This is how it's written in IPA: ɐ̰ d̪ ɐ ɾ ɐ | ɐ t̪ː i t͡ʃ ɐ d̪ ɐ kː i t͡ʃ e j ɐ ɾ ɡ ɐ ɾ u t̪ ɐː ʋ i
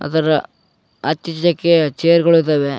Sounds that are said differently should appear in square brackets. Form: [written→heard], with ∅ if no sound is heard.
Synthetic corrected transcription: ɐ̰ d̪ ɐ ɾ ɐ | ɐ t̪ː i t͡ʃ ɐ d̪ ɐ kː [i→e] t͡ʃ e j ɐ ɾ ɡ ɐ [ɾ→ɭ] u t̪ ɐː ʋ [i→e]